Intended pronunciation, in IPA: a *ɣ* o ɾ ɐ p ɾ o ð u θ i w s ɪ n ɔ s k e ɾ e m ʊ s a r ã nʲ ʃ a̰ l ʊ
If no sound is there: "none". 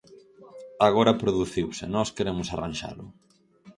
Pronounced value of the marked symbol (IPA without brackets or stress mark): ɣ